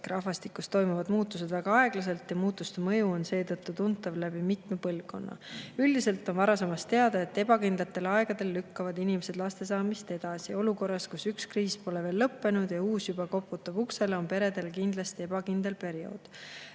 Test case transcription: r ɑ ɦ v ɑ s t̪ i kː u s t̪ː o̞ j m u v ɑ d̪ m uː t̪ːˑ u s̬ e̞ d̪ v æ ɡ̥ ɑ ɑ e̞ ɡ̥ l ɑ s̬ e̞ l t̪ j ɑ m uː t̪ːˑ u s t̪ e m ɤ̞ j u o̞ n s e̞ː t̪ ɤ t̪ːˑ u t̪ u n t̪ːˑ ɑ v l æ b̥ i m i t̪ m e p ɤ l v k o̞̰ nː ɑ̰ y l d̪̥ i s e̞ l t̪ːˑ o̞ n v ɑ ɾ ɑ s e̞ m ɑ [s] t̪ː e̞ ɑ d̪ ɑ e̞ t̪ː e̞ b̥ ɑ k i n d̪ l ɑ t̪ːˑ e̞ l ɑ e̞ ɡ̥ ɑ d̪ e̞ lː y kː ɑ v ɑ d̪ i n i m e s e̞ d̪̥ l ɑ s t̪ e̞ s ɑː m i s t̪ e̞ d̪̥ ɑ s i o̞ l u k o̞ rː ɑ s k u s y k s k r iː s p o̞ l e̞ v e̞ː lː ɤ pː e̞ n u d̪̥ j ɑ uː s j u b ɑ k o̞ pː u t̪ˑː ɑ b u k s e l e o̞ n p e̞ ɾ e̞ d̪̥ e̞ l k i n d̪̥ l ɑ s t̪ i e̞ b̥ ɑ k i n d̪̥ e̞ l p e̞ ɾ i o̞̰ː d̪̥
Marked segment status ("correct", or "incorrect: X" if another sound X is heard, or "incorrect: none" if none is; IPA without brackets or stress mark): correct